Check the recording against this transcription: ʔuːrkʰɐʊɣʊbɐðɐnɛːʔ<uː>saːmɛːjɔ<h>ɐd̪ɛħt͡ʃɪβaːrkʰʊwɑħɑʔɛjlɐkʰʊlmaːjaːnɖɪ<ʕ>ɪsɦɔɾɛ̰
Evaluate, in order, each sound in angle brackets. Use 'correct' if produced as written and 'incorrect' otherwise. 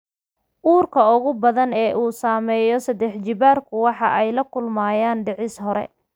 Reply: correct, incorrect, correct

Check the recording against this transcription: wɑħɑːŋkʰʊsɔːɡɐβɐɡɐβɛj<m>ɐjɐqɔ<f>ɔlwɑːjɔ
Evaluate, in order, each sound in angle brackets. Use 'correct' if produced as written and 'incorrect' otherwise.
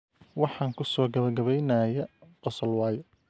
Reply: incorrect, incorrect

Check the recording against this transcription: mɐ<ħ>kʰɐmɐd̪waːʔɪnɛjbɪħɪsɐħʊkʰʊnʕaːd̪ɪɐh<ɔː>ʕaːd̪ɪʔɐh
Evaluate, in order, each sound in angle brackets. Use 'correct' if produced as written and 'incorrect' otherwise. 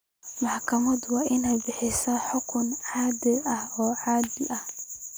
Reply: correct, correct

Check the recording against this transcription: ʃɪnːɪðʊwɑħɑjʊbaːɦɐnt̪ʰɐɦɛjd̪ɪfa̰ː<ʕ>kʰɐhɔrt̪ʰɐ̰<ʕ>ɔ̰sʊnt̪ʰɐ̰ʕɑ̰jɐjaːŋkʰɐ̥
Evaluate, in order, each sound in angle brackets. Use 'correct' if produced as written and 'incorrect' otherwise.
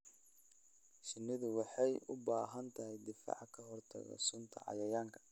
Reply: correct, incorrect

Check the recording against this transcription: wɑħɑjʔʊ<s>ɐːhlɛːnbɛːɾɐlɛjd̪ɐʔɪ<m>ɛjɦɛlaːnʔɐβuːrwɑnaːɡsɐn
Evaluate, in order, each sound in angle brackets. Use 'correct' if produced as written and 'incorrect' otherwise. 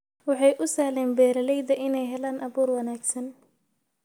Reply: correct, incorrect

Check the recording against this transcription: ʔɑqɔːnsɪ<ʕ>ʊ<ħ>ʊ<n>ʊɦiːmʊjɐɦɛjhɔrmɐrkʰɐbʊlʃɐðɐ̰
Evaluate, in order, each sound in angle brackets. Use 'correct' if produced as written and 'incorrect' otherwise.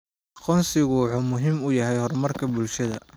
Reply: incorrect, correct, incorrect

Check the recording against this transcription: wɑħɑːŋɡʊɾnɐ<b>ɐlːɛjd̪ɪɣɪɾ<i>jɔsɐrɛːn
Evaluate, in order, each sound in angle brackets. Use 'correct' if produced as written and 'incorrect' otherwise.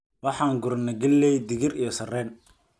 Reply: incorrect, correct

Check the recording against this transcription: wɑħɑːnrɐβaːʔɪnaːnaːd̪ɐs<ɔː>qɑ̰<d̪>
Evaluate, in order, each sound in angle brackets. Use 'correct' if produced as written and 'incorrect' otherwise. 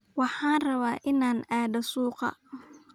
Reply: incorrect, incorrect

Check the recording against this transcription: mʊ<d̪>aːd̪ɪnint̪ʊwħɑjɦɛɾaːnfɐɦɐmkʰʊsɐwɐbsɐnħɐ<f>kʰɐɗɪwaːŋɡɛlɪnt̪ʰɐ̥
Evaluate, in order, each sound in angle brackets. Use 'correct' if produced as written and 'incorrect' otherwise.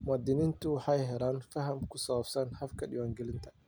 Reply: incorrect, correct

